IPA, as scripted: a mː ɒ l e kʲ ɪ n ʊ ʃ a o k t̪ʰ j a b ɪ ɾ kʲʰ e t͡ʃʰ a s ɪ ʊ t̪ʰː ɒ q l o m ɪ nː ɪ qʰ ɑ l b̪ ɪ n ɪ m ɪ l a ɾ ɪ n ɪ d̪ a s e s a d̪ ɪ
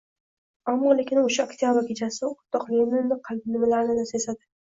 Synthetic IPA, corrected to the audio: a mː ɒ l e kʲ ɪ n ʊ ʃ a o k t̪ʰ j a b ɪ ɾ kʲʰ e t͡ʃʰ a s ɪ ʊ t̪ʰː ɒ q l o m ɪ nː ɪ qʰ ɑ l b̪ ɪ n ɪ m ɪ l a ɾ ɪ n ɪ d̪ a s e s a d̪ ɪ